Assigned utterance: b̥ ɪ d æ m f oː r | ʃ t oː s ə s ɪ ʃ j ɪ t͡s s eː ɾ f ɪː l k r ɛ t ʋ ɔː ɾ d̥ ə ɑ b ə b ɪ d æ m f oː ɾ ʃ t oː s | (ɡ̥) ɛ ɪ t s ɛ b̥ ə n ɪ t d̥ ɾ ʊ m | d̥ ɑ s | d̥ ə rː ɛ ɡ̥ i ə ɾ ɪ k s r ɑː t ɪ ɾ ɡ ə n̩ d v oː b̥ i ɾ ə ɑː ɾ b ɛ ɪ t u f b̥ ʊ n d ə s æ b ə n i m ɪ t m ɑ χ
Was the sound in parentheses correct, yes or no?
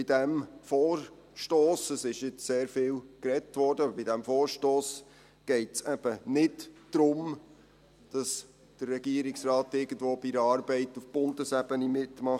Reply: yes